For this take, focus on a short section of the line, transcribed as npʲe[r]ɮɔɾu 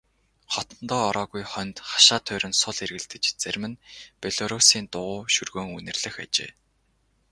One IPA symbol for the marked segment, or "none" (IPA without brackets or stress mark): none